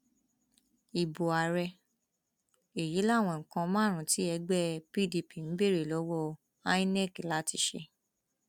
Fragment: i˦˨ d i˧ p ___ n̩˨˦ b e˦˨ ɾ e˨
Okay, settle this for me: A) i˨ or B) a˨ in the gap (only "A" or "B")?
A